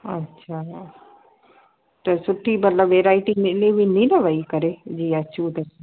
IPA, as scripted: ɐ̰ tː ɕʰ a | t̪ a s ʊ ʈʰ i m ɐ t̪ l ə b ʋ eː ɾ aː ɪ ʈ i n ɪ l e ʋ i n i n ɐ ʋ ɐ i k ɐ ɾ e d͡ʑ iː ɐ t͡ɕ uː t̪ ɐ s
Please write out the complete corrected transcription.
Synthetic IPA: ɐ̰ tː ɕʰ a | t̪ ɐ s ʊ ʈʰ i m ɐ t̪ l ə b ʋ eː ɾ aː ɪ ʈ i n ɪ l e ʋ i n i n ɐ ʋ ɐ i k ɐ ɾ e d͡ʑ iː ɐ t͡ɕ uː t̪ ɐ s